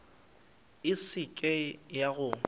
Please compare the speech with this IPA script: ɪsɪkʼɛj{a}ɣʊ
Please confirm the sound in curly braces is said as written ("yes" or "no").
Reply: yes